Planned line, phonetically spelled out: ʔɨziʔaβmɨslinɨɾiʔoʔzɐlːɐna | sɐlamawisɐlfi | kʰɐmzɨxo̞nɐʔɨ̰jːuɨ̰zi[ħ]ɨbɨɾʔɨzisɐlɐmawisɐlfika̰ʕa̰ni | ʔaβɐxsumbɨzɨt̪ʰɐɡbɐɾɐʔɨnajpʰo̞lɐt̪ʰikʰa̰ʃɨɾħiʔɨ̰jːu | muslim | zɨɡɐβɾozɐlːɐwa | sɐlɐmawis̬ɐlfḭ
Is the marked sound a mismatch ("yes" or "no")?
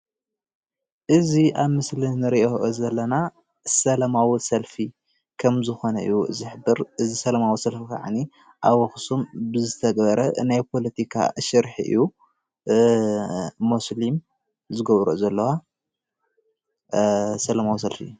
no